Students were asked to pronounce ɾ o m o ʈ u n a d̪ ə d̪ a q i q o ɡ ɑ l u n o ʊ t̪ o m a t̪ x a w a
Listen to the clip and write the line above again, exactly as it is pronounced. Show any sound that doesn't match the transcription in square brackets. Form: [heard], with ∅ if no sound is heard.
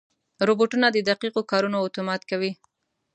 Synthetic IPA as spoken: ɾ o [b] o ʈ u n a d̪ ə d̪ a q i q o [k] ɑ [ɾ] u n o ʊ t̪ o m [ɑ] t̪ [k] a w [i]